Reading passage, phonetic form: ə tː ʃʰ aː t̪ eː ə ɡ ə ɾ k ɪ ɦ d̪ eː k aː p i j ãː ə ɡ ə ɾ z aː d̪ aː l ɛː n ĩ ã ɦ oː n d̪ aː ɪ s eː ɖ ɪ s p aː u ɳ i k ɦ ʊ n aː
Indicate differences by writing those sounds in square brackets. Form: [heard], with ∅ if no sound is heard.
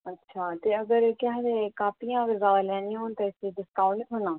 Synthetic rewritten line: ə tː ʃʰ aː t̪ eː ə ɡ ə ɾ k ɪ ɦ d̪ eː k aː p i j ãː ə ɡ ə ɾ z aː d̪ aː l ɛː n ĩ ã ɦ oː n [t̪] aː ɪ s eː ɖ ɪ s [k] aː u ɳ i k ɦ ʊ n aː